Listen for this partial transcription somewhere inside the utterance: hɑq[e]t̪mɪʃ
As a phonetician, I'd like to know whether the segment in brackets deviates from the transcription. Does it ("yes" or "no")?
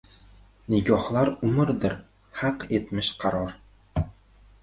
no